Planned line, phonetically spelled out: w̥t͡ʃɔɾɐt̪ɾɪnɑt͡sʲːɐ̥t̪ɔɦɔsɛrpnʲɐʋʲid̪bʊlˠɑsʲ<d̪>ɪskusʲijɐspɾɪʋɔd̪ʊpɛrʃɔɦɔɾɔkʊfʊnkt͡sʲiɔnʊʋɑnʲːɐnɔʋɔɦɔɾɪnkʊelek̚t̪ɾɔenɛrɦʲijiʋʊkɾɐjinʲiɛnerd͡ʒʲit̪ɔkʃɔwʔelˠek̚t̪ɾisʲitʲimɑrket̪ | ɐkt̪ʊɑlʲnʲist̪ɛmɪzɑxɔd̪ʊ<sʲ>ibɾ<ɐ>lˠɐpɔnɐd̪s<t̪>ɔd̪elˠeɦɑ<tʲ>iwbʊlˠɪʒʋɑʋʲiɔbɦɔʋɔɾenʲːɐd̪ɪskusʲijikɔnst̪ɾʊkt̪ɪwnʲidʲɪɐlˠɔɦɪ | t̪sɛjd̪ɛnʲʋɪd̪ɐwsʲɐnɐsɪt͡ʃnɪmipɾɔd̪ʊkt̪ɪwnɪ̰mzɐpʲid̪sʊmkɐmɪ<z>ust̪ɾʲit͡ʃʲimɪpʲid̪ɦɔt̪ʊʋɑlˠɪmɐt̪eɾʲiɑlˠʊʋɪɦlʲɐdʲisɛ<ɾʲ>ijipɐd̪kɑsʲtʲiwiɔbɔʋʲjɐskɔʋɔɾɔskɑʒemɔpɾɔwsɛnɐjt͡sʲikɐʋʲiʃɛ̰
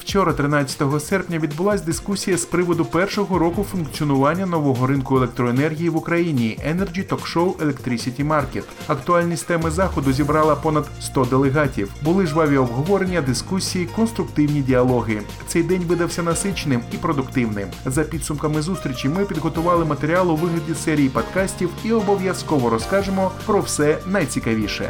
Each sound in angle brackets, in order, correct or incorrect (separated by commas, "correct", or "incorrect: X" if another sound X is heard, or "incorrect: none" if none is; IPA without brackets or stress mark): correct, incorrect: zʲ, incorrect: ɑ, correct, correct, correct, correct